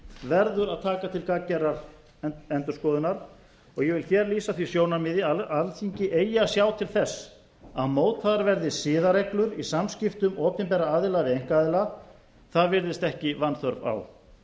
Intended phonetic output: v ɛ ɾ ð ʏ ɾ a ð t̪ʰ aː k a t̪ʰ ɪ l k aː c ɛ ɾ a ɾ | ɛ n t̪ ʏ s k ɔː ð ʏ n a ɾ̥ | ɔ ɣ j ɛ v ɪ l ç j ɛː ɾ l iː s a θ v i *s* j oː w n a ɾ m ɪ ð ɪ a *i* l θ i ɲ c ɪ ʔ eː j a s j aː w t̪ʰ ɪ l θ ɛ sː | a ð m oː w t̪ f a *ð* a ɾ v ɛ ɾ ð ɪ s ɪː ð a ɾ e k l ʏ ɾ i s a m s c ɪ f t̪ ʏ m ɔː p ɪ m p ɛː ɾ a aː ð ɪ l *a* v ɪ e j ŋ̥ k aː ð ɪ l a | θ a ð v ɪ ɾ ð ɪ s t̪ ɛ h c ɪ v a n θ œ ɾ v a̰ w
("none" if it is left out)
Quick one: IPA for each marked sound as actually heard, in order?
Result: s, a, ð, a

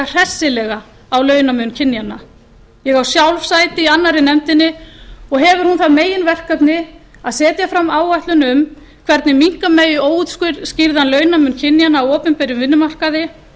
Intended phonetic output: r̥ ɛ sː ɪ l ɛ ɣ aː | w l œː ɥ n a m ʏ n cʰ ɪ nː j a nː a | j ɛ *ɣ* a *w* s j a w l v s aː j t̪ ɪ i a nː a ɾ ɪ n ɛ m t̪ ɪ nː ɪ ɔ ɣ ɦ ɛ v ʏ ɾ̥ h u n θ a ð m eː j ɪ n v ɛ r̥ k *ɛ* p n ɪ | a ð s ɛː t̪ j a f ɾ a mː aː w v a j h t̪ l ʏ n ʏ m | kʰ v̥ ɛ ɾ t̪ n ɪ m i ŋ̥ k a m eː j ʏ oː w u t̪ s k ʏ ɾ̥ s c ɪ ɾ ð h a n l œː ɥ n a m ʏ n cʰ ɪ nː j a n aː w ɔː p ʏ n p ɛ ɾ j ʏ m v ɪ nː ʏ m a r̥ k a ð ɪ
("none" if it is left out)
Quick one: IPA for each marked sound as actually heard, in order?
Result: ɣ, w, a

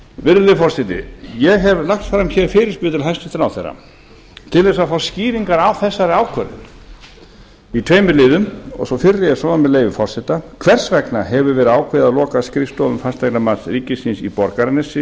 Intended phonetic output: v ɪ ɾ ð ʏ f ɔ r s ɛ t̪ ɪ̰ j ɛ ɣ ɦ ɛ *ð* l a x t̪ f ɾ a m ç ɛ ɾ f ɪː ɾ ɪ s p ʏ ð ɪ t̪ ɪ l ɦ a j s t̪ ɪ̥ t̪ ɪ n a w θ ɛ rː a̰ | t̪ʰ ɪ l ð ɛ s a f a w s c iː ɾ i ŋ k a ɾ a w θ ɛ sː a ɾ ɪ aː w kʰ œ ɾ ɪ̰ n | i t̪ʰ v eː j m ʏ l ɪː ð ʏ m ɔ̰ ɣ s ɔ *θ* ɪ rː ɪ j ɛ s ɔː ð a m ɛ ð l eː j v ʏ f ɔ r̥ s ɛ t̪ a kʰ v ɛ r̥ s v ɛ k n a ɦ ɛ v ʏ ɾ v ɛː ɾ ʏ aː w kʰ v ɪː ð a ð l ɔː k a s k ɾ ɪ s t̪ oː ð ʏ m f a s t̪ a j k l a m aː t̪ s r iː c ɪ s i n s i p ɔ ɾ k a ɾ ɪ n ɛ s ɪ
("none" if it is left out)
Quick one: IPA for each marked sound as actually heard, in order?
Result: v, f

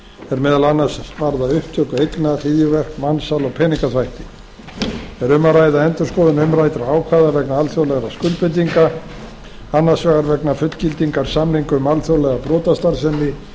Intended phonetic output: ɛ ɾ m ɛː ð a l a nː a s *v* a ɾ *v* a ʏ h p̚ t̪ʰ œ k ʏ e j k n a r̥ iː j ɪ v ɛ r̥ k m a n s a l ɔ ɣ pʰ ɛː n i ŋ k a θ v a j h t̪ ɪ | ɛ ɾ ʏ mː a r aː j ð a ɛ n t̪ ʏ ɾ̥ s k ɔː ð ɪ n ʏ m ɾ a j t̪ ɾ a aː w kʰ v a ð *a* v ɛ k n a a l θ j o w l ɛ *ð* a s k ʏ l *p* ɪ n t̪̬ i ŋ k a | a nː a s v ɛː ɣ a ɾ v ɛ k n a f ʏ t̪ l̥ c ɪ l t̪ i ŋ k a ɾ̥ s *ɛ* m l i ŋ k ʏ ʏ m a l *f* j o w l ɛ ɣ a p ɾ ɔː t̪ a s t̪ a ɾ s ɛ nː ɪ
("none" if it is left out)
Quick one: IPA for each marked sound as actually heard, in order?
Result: v, ð, a, ɣ, p, a, θ

